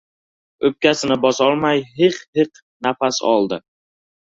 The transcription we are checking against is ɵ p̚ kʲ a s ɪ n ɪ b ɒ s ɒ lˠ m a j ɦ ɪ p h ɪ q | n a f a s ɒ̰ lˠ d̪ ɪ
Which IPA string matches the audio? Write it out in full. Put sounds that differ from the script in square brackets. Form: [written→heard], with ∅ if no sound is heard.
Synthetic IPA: ɵ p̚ kʲ a s ɪ n ɪ b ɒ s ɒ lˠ m a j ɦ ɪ [p→q] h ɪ q | n a f a s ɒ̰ lˠ d̪ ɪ